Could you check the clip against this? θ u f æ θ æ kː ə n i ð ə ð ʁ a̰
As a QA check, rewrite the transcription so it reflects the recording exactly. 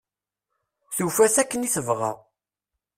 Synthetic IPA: θ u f æ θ æ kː ə n i θ ə v ʁ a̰

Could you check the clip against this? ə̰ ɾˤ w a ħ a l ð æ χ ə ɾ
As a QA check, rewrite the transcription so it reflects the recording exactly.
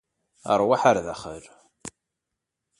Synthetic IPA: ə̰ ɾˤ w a ħ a ɾ ð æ χ ə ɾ

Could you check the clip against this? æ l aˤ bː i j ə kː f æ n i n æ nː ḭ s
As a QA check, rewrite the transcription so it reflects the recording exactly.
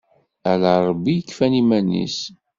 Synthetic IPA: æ l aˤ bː i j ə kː f æ n i m æ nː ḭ s

